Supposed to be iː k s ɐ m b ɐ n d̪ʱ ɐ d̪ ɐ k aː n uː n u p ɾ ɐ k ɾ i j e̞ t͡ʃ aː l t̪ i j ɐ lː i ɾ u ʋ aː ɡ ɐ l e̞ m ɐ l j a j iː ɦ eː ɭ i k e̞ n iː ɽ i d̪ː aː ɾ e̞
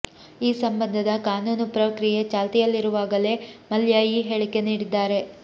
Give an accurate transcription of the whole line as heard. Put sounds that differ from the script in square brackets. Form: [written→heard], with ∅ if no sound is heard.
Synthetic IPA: iː [k→∅] s ɐ m b ɐ n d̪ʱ ɐ d̪ ɐ k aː n uː n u p ɾ ɐ k ɾ i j e̞ t͡ʃ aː l t̪ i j ɐ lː i ɾ u ʋ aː ɡ ɐ l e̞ m ɐ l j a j iː ɦ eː ɭ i k e̞ n iː ɽ i d̪ː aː ɾ e̞